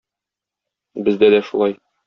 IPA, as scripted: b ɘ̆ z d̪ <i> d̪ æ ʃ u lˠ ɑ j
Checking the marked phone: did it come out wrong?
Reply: yes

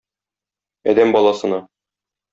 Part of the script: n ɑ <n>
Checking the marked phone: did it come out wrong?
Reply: yes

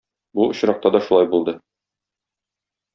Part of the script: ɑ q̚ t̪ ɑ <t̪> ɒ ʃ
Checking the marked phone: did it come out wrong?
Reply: yes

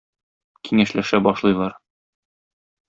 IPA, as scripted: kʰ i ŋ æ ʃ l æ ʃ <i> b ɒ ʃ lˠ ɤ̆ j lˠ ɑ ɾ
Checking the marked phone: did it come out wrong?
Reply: yes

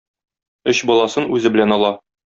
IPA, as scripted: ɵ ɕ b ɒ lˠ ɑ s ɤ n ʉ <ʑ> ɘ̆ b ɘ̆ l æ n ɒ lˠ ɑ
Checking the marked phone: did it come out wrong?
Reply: yes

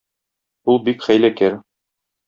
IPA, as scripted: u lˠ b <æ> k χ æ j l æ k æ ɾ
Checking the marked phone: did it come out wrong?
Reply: yes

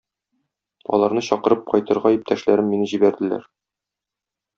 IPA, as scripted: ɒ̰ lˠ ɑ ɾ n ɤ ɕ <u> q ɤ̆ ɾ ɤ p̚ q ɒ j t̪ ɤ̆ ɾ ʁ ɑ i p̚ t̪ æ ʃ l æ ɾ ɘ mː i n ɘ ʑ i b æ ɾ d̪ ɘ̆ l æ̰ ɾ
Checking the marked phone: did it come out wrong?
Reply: yes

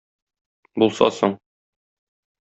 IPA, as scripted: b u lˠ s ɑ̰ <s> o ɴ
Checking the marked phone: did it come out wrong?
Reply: no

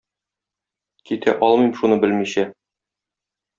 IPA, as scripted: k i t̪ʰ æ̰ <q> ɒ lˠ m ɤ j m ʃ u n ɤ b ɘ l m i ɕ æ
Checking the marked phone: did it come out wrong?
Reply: yes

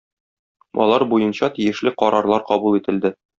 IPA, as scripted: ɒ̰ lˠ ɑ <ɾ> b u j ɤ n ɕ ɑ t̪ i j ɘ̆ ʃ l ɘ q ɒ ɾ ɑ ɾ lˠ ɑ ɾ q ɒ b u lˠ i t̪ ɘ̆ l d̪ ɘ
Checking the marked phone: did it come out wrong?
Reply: no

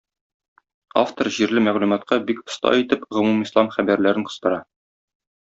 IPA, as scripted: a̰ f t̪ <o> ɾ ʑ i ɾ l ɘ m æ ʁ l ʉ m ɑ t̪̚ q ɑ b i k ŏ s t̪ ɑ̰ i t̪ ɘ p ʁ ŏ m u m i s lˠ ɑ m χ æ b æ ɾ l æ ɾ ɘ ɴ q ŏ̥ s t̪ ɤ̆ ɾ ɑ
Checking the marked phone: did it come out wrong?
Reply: no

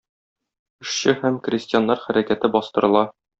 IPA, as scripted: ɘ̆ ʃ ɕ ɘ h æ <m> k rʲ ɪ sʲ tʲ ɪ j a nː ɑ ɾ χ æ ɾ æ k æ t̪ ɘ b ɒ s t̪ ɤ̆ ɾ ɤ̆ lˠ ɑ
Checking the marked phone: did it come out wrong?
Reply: no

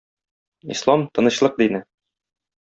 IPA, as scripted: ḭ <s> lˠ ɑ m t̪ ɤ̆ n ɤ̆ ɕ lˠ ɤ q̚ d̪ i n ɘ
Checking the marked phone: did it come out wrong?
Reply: no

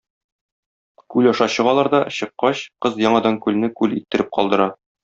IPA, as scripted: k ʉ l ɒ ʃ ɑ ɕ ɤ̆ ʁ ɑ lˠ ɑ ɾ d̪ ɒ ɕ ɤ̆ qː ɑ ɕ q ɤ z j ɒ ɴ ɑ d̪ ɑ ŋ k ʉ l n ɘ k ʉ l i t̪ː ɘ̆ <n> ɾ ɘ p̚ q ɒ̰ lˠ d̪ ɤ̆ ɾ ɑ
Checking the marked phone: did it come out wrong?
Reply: yes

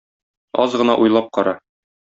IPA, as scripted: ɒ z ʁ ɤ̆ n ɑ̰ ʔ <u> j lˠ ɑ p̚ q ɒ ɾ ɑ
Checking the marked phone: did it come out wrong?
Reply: no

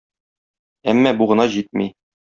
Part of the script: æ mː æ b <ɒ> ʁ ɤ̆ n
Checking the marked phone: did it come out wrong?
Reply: yes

